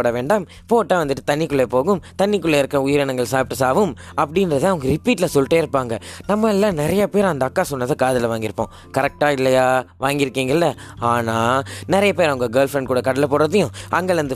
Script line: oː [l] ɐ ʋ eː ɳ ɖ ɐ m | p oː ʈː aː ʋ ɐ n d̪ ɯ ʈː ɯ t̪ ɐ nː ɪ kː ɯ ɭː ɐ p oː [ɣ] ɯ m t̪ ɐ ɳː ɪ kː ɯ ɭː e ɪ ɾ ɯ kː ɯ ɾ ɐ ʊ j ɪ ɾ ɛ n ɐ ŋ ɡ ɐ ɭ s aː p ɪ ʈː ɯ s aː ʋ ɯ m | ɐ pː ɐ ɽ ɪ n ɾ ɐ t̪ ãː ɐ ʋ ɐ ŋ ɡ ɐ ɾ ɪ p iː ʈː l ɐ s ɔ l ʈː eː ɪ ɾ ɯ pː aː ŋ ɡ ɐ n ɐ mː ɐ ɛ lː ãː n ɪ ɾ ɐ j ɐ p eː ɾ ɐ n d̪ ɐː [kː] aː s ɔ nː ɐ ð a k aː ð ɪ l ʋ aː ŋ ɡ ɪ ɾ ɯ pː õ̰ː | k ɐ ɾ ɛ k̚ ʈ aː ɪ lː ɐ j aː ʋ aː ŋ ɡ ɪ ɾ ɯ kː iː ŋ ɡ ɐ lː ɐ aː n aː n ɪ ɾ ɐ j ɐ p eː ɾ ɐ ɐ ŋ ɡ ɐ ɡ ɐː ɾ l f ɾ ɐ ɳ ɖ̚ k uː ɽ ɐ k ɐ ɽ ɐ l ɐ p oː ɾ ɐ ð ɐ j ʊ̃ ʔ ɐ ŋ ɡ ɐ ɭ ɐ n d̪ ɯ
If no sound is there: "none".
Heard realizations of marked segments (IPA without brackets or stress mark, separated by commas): ɽ, ɣ, kː